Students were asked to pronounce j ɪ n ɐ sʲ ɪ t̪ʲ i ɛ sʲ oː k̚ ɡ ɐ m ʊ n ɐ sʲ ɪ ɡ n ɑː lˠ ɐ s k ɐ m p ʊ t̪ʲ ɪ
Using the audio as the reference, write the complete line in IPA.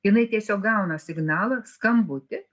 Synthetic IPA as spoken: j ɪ n ɐ ɪ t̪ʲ i ɛ sʲ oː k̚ ɡ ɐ ʊ n ɐ sʲ ɪ ɡ n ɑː lˠ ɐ s k ɐ m b ʊ t̪ʲ ɪ

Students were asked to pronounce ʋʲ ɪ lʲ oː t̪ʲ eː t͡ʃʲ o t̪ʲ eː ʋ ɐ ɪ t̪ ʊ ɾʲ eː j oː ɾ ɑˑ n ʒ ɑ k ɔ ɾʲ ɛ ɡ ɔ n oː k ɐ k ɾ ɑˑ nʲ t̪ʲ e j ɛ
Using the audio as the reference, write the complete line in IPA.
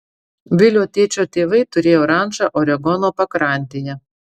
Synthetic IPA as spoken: ʋʲ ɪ lʲ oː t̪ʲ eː t͡ʃʲ o t̪ʲ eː ʋ ɐ ɪ t̪ ʊ ɾʲ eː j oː ɾ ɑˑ n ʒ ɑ ʔ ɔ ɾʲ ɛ ɡ ɔ n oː p ɐ k ɾ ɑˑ nʲ t̪ʲ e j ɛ

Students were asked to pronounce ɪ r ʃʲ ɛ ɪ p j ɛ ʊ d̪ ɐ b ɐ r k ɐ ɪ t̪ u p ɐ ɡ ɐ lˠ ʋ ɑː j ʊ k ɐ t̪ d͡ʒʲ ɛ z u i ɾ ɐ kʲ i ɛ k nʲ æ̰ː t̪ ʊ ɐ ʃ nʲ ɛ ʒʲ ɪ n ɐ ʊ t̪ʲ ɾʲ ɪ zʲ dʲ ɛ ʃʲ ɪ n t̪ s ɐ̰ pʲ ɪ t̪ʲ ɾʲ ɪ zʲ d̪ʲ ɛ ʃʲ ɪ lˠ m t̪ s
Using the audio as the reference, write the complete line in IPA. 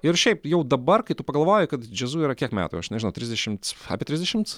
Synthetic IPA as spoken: ɪ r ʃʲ ɛ ɪ p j ɛ ʊ d̪ ɐ b ɐ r k ɐ ɪ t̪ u p ɐ ɡ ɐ lˠ ʋ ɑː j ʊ k ɐ t̪ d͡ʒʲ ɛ z u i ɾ ɐ kʲ i ɛ k mʲ æ̰ː t̪ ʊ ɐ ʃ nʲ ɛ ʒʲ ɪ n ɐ ʊ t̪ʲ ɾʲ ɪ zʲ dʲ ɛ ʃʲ ɪ m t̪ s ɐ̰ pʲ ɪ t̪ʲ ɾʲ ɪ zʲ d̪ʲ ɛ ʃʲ ɪ m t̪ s

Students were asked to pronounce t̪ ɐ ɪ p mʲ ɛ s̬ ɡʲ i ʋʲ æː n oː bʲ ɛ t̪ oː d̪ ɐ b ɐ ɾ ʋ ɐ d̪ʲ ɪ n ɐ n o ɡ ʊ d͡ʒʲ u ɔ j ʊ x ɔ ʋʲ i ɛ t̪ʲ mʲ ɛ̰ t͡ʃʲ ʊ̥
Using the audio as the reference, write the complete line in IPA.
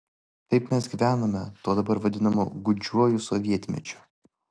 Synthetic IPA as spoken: t̪ ɐ ɪ p mʲ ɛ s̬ ɡʲ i ʋʲ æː n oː mʲ ɛ t̪ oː d̪ ɐ b ɐ ɾ ʋ ɐ d̪ʲ ɪ n ɐ m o ɡ ʊ d͡ʒʲ u ɔ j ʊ s ɔ ʋʲ i ɛ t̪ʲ mʲ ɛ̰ t͡ʃʲ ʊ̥

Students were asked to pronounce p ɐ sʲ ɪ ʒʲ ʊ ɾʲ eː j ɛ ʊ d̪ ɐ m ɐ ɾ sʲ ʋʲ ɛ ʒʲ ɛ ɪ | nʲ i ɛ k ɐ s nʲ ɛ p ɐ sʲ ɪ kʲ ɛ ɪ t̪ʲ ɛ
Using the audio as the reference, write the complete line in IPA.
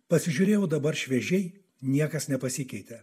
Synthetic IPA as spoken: p ɐ sʲ ɪ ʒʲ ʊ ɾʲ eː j ɛ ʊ d̪ ɐ b ɐ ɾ ʃʲ ʋʲ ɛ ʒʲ ɛ ɪ | nʲ i ɛ k ɐ s nʲ ɛ p ɐ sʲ ɪ kʲ ɛ ɪ t̪ʲ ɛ

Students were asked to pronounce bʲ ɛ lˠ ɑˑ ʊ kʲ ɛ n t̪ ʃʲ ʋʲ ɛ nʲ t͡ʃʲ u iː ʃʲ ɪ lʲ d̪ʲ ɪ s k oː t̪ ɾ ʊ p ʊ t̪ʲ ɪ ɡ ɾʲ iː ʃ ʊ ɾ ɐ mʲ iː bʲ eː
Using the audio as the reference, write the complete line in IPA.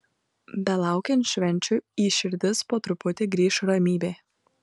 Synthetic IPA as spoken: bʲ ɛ lˠ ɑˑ ʊ kʲ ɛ n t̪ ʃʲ ʋʲ ɛ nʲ t͡ʃʲ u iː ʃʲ ɪ ɾʲ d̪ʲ ɪ s p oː t̪ ɾ ʊ p ʊ t̪ʲ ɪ ɡ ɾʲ iː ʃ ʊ ɾ ɐ mʲ iː bʲ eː

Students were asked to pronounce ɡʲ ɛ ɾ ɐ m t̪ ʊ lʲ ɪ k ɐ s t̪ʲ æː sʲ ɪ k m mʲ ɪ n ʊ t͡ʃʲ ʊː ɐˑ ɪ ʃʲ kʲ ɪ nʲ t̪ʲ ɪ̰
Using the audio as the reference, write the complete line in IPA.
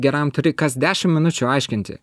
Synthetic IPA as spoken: ɡʲ ɛ ɾ ɐ m t̪ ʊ ɾʲ ɪ k ɐ s d̪ʲ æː ʃʲ ɪ m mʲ ɪ n ʊ t͡ʃʲ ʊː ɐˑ ɪ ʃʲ kʲ ɪ nʲ t̪ʲ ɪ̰

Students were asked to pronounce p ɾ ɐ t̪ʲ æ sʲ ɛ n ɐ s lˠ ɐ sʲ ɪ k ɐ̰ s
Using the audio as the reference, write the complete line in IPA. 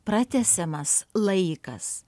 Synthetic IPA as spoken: p ɾ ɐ t̪ʲ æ sʲ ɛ m ɐ s lˠ ɐ ɪ k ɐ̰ s

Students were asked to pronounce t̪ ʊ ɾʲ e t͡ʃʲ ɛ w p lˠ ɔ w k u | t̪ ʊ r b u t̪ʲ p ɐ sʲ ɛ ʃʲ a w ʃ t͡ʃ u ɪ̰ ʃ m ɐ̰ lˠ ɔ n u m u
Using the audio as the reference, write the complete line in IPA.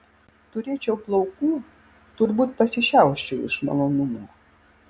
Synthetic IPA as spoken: t̪ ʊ ɾʲ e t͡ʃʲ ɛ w p lˠ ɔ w k u | t̪ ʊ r b u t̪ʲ p ɐ sʲ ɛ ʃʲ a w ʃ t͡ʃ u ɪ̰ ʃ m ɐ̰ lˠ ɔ n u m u

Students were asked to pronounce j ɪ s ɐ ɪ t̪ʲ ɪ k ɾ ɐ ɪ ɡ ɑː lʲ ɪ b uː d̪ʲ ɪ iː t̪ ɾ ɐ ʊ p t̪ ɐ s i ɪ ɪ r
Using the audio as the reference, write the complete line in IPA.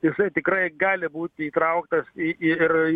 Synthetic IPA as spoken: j ɪ s ɐ ɪ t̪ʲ ɪ k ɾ ɐ ɪ ɡ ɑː lʲ ɪ b uː t̪ʲ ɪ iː t̪ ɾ ɐ ʊ k t̪ ɐ s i ɪ ɪ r

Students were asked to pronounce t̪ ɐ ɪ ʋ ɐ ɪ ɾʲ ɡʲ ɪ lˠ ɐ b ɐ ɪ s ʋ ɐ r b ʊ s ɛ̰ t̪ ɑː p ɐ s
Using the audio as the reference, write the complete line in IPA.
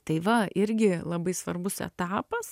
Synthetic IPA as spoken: t̪ ɐ ɪ ʋ ɐ ɪ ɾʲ ɡʲ ɪ lˠ ɐ b ɐ ɪ s ʋ ɐ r b ʊ s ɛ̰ t̪ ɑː p ɐ s

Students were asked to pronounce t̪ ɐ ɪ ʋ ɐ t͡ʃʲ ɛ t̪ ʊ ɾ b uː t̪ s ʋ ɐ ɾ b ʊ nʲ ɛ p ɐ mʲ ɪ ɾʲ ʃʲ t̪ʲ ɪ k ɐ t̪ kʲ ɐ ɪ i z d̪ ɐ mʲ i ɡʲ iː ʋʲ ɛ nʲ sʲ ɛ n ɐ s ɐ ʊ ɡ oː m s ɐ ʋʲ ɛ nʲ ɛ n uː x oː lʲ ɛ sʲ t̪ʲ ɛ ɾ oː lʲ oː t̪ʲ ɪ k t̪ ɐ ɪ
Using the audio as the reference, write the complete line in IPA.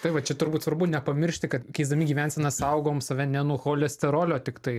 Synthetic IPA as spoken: t̪ ɐ ɪ ʋ ɐ t͡ʃʲ ɛ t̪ ʊ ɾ b uː t̪ s ʋ ɐ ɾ b ʊ nʲ ɛ p ɐ mʲ ɪ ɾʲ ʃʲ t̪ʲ ɪ k ɐ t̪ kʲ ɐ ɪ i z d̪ ɐ mʲ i ɡʲ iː ʋʲ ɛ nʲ sʲ ɛ n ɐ s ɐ ʊ ɡ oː m s ɐ ʋʲ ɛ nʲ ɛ n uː x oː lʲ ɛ sʲ t̪ʲ ɛ ɾ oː lʲ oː t̪ʲ ɪ k t̪ ɐ ɪ

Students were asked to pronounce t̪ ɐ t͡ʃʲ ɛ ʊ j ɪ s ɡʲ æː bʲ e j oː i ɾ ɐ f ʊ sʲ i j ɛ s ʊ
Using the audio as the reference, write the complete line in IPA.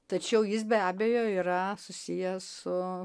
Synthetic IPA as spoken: t̪ ɐ t͡ʃʲ ɛ ʊ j ɪ s bʲ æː bʲ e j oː i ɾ ɐ s ʊ sʲ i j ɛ s ʊ

